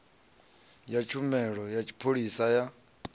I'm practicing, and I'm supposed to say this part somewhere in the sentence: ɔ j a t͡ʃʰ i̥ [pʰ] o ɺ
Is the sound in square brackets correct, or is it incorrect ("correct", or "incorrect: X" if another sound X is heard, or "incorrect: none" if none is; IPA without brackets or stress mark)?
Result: correct